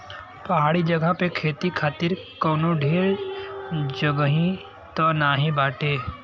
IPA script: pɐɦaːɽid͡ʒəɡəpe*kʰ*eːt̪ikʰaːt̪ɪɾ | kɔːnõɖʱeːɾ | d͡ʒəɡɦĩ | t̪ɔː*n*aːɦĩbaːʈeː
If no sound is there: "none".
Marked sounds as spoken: kʰ, n

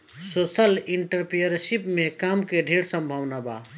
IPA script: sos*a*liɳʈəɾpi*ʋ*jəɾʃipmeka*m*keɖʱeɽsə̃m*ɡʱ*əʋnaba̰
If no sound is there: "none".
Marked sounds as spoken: ə, none, m, bʱ

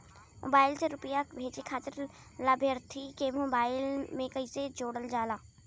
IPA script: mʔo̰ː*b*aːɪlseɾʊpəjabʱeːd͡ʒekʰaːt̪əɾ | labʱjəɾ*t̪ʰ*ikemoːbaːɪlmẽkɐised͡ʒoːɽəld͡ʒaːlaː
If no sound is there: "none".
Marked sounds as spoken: b, t̪ʰ

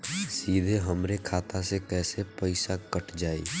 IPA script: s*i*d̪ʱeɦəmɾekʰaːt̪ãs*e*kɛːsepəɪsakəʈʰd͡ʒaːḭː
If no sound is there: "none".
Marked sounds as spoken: iː, e

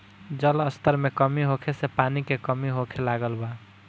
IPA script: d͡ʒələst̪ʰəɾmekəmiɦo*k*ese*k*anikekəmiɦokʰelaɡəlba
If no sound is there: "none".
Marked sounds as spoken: kʰ, p

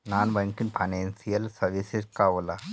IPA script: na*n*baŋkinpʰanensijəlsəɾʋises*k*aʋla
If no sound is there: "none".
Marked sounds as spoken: n, k

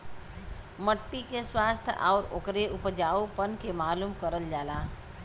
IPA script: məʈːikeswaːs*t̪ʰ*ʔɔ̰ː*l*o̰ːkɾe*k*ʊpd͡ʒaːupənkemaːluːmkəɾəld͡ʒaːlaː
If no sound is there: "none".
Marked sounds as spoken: t̪ʰ, ɾ, none

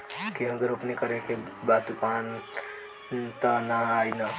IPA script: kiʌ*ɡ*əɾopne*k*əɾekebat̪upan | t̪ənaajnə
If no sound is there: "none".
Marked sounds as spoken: ɡ, k

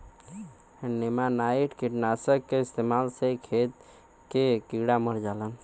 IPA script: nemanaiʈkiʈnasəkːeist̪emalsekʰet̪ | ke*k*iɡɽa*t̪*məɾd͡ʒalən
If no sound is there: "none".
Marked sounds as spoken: k, none

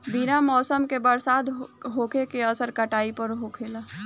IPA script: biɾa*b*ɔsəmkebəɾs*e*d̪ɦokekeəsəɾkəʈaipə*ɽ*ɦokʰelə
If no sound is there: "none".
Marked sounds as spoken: m, a, ɾ

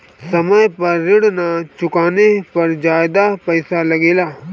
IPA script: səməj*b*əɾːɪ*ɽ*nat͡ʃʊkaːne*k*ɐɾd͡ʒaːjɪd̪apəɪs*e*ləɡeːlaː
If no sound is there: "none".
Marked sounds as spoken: p, ɽ, p, a

